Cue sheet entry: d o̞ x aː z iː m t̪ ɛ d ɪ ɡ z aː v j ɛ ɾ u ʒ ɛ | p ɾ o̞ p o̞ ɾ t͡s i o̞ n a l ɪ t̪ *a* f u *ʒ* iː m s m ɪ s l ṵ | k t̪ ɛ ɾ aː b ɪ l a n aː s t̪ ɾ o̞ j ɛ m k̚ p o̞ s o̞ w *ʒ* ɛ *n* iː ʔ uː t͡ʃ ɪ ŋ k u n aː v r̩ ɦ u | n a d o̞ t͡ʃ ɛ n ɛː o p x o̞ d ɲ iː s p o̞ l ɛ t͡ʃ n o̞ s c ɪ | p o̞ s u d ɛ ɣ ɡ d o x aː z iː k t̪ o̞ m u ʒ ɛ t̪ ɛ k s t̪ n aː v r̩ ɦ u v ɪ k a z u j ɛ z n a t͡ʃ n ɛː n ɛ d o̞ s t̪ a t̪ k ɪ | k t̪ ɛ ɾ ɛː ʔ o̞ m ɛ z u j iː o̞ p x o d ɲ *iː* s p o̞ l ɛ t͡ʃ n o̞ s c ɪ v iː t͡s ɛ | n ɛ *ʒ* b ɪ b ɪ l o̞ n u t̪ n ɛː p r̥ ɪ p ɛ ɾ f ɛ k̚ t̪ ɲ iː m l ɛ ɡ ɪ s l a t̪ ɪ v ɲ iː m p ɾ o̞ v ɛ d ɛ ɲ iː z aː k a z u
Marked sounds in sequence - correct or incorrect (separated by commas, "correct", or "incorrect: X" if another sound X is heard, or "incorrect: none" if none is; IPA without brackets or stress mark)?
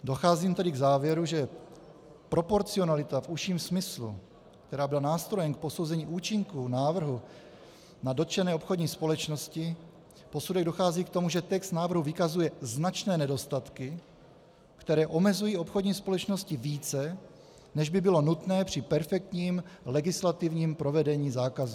correct, incorrect: ʃ, incorrect: z, incorrect: ɲ, correct, correct